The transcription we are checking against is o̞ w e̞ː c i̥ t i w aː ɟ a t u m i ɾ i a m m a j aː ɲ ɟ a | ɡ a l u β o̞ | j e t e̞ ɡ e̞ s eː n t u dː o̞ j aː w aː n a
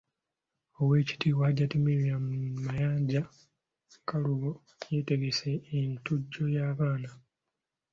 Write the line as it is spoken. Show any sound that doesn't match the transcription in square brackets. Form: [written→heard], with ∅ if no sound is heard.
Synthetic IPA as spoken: o̞ w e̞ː c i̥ t i w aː ɟ a t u m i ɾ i a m m a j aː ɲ ɟ a | [ɡ→k] a l u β o̞ | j e t e̞ ɡ e̞ s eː n t u [dː→ɟː] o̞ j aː [w→β] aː n a